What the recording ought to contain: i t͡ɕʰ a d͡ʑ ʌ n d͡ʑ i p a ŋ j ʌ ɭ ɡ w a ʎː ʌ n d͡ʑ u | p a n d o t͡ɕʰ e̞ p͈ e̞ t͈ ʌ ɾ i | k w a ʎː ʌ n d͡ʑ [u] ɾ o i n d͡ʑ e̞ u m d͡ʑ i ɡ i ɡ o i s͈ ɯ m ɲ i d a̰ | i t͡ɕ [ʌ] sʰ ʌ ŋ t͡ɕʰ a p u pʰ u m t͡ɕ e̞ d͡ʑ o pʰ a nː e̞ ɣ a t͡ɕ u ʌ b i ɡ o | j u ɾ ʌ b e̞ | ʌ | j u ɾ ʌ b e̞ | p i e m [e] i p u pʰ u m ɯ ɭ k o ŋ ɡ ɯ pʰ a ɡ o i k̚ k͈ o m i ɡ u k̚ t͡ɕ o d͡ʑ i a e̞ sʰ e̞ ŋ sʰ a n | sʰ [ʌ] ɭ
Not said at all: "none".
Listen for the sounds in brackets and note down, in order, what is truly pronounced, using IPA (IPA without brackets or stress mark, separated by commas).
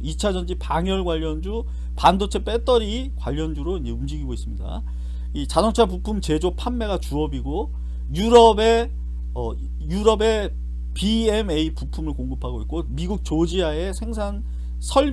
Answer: u, a, e, ʌ